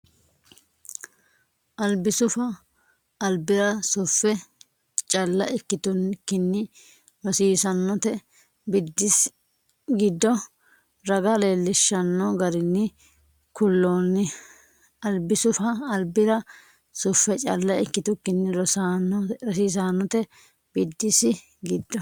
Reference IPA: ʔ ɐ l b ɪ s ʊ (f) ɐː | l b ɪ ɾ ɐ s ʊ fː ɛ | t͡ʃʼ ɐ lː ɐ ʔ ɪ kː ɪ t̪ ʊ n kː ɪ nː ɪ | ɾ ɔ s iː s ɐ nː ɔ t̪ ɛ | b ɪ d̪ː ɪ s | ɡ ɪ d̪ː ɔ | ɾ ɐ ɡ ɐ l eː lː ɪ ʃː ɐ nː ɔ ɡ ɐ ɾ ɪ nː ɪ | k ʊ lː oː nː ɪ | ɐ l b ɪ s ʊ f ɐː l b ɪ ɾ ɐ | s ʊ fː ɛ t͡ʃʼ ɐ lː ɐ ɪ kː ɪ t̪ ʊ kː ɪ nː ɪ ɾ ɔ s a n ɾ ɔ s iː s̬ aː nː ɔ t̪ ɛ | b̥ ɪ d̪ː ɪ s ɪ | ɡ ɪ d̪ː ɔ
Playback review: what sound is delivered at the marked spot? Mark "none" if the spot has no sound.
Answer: f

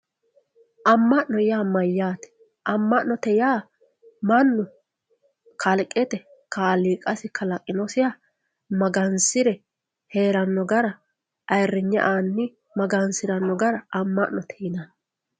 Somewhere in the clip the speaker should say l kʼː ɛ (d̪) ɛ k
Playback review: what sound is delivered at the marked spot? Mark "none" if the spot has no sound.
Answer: t̪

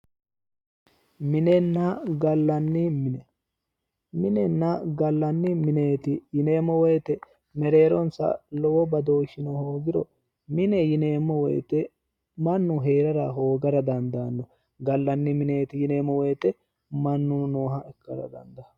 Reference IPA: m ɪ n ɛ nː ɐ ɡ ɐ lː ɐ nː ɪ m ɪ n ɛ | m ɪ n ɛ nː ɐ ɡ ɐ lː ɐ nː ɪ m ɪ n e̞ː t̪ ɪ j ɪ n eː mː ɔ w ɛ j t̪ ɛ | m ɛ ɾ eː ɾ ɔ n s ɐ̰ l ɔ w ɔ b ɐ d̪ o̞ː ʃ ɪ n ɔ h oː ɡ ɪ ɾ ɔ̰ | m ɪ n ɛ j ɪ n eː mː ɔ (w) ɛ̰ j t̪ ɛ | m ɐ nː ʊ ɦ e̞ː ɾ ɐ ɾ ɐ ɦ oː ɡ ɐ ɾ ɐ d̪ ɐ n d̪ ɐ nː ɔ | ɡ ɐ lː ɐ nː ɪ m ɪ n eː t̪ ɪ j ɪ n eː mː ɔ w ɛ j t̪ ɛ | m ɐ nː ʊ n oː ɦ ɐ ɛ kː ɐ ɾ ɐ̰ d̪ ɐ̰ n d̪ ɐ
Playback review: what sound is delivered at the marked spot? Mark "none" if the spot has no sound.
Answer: w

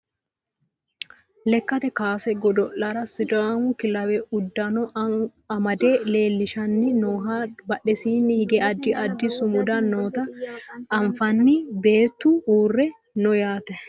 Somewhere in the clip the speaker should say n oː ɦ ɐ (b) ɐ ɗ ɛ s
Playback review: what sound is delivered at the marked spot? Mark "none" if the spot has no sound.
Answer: b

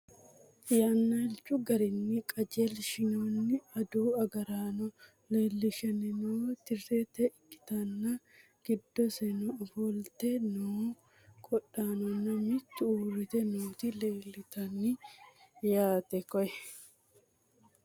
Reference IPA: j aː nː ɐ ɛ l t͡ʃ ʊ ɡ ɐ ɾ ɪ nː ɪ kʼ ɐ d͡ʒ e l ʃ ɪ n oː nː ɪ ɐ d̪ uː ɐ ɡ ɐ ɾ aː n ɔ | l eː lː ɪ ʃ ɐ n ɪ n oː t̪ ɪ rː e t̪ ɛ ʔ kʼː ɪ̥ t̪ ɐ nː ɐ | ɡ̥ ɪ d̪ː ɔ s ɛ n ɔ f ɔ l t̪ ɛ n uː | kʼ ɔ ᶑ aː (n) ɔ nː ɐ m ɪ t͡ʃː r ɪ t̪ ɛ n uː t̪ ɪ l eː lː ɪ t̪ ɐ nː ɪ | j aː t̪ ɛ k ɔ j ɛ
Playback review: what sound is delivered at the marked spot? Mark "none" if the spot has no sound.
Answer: n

